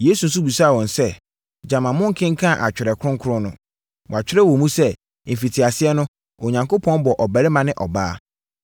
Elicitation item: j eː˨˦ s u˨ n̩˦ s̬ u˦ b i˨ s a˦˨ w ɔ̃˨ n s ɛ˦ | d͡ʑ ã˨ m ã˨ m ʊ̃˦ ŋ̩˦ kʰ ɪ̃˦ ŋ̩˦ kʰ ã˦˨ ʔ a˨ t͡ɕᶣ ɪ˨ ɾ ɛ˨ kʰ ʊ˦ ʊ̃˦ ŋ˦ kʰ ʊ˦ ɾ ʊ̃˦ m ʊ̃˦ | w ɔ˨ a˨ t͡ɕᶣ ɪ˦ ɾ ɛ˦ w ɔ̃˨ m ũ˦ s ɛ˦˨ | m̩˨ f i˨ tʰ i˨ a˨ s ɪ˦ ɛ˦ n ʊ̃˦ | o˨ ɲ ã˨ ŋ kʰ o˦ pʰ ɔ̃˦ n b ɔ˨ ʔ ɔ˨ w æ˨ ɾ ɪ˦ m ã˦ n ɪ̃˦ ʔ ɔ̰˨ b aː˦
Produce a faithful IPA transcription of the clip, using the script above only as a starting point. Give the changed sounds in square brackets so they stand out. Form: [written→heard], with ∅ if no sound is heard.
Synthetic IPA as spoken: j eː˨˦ s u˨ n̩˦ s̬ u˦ b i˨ s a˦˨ w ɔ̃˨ n s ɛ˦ | d͡ʑ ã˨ m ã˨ m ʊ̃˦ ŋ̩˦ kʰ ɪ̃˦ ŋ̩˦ kʰ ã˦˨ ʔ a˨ t͡ɕᶣ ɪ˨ ɾ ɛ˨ kʰ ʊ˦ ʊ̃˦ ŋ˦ kʰ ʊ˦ ɾ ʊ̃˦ [m→n] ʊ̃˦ | w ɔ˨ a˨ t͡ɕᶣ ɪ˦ ɾ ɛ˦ w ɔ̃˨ m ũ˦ s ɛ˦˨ | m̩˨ f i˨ tʰ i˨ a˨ s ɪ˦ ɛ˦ n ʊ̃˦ | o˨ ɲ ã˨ ŋ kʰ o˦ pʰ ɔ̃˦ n b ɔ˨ ʔ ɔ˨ [w→b] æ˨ ɾ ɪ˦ m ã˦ n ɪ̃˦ ʔ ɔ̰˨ b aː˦